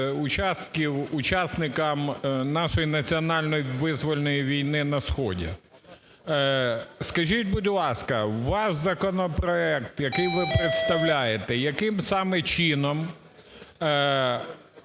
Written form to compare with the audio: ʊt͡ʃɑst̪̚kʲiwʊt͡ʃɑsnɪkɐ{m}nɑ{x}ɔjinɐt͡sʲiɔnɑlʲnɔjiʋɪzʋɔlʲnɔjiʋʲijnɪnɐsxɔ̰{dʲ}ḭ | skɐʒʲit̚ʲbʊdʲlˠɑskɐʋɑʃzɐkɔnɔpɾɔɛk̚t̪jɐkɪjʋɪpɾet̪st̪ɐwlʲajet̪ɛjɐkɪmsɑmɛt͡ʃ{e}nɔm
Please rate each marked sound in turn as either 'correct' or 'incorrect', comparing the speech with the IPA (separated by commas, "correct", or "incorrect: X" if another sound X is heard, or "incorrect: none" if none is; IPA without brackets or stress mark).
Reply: correct, incorrect: ʃ, correct, incorrect: i